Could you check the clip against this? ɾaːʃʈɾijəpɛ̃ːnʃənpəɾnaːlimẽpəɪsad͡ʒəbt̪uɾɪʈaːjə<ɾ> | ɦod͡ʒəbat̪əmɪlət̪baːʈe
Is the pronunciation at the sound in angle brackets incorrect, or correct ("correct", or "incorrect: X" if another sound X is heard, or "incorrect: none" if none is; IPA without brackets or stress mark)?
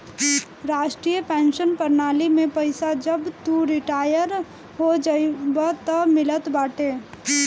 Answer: correct